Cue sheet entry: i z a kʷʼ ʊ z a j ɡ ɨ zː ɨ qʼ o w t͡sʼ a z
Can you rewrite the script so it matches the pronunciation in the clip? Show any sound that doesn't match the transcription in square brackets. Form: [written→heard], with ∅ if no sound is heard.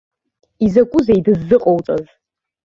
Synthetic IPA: i z a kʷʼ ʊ z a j [ɡ→d] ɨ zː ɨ qʼ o w t͡sʼ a z

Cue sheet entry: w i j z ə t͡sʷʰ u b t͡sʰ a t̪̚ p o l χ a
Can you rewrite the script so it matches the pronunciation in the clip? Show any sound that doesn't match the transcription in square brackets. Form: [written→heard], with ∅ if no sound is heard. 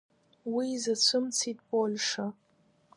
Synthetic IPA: w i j z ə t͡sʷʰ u [b→m] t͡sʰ [a→i] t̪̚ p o l [χ→ʂ] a

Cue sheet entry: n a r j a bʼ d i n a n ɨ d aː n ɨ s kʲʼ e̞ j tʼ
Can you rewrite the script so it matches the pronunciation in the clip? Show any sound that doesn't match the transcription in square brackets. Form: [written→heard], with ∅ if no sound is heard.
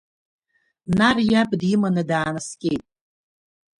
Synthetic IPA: n a r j a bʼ d i [n→m] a n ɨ d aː n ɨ s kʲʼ e̞ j tʼ

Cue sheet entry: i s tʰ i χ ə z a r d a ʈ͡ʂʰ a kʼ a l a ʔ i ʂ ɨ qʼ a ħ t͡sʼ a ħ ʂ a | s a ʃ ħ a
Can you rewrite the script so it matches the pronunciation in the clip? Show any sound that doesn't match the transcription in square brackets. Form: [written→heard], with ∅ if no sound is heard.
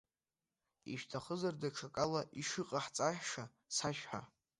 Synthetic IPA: i [s→ʃ] tʰ [i→a] χ ə z a r d a ʈ͡ʂʰ a kʼ a l a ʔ i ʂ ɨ qʼ a ħ t͡sʼ a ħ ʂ a | s a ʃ ħ a

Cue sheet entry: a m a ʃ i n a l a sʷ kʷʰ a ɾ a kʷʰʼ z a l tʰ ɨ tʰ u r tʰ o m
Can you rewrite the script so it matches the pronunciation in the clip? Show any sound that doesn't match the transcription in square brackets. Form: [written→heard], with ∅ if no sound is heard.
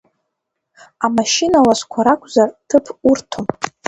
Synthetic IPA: a m a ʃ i n a l a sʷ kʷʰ a ɾ a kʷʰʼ z a [l→r] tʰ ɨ [tʰ→pʰ] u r tʰ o m

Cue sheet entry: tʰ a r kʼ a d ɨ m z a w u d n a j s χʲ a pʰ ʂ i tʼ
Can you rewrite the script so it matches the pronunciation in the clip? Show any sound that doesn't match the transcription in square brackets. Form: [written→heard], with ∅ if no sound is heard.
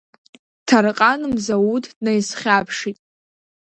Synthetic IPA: tʰ a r [kʼ→qʼ] a [d→n] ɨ m z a w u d n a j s χʲ a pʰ ʂ i tʼ

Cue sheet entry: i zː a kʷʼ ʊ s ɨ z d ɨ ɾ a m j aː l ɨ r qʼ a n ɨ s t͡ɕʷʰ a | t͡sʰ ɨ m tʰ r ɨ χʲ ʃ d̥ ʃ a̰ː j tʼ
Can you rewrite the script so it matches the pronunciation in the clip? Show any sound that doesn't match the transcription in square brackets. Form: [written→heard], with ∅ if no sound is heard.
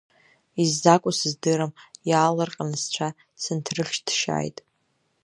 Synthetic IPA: i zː a kʷʼ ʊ s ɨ z d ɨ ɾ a m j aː l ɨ r qʼ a n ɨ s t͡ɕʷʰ a | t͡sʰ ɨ [m→n] tʰ r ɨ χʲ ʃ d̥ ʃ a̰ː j tʼ

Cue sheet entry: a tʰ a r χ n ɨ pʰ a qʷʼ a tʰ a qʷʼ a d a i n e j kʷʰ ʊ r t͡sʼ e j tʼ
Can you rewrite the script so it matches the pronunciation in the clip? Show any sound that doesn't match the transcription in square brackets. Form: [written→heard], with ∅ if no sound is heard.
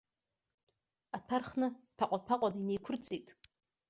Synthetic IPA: a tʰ a r χ n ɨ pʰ a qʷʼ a [tʰ→pʰ] a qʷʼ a d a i n e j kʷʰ ʊ r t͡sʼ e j tʼ

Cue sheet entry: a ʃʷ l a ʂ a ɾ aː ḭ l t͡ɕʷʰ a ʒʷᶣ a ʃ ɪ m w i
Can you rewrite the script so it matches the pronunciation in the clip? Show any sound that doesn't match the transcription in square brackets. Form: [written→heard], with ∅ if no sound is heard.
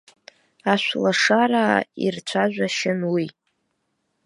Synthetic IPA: a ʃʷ l a ʂ a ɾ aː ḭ [l→r] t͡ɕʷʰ a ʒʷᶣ a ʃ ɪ [m→n] w i

